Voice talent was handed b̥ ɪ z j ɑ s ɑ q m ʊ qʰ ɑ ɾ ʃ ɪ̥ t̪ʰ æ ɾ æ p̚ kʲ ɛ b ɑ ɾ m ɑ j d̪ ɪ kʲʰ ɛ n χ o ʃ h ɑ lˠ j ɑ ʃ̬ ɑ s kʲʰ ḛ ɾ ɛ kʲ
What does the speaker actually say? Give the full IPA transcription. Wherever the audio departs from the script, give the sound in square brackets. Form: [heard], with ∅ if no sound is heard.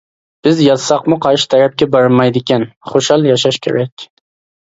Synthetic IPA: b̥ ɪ z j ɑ s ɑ q m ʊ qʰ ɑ ɾ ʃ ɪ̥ t̪ʰ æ ɾ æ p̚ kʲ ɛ b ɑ ɾ m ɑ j d̪ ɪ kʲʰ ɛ n χ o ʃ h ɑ lˠ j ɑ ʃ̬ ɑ [ʃ] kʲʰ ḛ ɾ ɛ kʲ

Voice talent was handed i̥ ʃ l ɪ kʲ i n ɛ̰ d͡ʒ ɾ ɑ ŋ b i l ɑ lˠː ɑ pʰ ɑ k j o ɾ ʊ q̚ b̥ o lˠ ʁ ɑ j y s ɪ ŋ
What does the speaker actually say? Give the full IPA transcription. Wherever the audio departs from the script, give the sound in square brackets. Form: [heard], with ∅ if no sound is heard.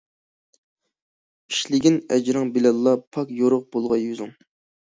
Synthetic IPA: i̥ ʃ l ɪ [ɡʲ] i n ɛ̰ d͡ʒ ɾ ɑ ŋ b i l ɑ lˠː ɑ pʰ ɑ k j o ɾ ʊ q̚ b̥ o lˠ ʁ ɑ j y [z] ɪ ŋ

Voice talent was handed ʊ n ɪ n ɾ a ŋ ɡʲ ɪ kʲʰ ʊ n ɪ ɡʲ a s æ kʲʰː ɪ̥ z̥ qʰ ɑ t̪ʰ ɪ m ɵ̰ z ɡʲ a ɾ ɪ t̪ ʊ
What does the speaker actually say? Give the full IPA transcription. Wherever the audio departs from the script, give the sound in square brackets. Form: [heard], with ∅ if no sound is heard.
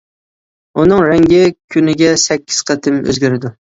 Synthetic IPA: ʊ n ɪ [ŋ] ɾ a ŋ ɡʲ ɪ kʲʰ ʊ n ɪ ɡʲ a s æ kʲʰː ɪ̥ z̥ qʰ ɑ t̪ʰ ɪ m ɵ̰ z ɡʲ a ɾ ɪ [d̪] ʊ

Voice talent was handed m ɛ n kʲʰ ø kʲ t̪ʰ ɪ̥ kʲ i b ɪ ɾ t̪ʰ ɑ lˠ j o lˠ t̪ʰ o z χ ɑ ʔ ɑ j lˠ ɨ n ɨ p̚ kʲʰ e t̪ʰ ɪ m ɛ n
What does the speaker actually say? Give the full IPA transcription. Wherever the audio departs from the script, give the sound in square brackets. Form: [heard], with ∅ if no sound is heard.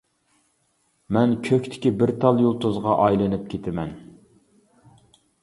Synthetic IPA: m ɛ n kʲʰ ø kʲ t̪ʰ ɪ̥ kʲ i b ɪ ɾ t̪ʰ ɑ lˠ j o lˠ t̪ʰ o z [ʁ] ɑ ʔ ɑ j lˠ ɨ n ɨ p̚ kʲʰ e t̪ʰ ɪ m ɛ n

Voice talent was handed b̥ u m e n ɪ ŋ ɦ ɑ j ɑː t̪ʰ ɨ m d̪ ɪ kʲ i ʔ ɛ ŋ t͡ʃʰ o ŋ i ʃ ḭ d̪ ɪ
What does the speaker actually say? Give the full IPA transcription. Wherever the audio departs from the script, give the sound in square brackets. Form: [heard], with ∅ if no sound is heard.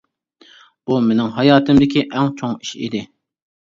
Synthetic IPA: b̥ u m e n ɪ ŋ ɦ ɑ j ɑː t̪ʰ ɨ m d̪ ɪ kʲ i ʔ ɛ ŋ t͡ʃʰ o ŋ i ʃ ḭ d̪ ɪ

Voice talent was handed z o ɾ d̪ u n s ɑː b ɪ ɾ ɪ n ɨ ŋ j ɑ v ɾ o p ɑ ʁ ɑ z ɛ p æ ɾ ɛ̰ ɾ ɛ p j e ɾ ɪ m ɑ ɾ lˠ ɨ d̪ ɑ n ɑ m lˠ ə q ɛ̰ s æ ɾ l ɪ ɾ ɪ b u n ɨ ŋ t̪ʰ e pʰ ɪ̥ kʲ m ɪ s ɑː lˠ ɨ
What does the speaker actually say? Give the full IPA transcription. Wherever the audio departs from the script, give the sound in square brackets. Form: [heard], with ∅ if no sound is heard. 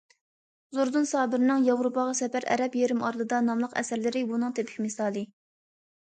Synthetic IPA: z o ɾ d̪ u n s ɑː b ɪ ɾ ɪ n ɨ ŋ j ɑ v ɾ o p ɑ ʁ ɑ [s] ɛ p æ ɾ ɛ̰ ɾ ɛ p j e ɾ ɪ m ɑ ɾ lˠ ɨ d̪ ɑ n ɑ m lˠ ə q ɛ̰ s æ ɾ l ɪ ɾ ɪ b u n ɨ ŋ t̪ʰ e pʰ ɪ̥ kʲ m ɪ s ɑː lˠ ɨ

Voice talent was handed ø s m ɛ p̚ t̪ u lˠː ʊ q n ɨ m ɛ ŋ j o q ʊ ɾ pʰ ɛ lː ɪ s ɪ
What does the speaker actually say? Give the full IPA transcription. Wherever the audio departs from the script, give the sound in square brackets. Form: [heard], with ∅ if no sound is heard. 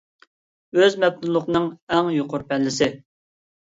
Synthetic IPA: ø [z] m ɛ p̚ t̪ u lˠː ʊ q n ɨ [ŋ] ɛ ŋ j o q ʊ ɾ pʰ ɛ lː ɪ s ɪ

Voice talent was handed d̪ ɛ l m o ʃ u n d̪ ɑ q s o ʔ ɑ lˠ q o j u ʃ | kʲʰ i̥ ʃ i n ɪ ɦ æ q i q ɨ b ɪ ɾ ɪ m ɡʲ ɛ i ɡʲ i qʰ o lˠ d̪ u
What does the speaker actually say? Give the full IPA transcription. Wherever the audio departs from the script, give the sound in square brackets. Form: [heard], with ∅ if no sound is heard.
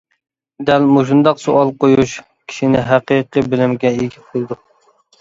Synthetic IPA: d̪ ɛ l m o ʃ u n d̪ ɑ q s o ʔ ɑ lˠ q o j u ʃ | kʲʰ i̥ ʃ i n ɪ ɦ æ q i q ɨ b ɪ [l] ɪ m ɡʲ ɛ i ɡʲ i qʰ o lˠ d̪ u

